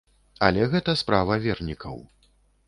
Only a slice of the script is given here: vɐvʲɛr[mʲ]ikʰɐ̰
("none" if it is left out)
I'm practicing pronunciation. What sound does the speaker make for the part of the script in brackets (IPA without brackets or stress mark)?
nʲ